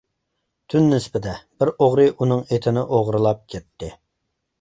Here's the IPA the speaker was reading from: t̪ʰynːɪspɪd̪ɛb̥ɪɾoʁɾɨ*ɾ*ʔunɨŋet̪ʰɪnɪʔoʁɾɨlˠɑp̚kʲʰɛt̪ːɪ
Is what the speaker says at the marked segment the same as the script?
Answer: no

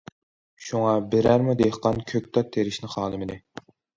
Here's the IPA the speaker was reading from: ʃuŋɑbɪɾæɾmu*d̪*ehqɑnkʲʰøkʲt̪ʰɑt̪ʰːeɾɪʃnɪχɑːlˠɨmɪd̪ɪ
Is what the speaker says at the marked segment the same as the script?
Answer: yes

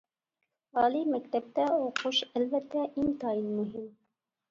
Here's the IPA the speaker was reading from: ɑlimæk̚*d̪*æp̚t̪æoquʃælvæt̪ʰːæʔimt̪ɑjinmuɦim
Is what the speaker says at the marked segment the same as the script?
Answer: no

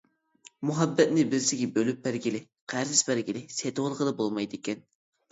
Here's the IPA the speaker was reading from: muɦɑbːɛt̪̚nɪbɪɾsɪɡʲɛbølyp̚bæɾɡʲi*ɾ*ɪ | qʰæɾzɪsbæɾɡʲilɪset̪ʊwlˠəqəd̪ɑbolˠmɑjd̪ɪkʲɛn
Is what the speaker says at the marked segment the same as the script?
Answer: no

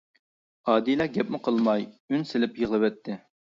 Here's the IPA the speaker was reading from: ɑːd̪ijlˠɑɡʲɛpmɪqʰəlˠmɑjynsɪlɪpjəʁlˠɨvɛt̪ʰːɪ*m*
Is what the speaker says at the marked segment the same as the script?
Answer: no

